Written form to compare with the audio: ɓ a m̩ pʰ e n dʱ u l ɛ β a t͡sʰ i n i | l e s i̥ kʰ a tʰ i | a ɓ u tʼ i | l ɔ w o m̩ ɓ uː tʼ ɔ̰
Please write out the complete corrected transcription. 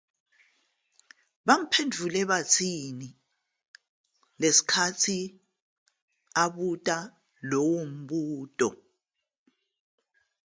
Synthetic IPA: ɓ a m̩ pʰ e n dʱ u l ɛ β a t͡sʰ i n i | l e s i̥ kʰ a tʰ i | a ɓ u tʼ a | l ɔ w o m̩ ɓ uː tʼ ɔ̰